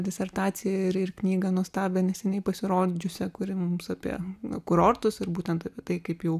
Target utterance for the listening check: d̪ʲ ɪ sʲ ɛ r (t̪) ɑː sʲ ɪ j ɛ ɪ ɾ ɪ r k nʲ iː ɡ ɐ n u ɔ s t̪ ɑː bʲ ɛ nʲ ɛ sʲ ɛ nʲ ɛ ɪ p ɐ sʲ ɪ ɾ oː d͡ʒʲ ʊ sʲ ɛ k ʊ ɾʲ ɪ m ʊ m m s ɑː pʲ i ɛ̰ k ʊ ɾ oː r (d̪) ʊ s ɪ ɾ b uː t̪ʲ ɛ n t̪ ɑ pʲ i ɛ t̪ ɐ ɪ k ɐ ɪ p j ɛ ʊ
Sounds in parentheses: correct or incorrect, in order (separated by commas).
correct, incorrect